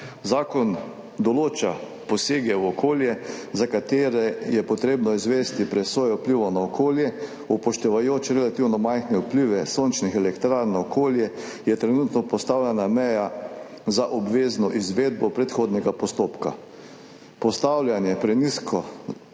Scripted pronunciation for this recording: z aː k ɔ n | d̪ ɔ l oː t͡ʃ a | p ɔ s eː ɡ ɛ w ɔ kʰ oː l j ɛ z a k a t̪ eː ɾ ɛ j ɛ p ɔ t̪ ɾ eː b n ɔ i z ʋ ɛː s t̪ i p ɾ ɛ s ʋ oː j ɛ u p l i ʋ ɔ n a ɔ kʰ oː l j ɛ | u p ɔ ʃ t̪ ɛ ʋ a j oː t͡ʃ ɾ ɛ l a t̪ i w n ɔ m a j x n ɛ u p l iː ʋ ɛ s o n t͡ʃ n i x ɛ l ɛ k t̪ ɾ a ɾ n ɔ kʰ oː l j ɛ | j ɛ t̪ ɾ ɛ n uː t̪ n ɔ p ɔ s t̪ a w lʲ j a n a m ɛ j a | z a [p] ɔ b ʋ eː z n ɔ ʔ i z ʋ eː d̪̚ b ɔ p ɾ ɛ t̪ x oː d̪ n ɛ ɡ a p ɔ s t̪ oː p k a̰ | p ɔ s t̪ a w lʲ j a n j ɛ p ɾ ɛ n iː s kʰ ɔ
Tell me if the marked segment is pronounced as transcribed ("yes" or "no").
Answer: no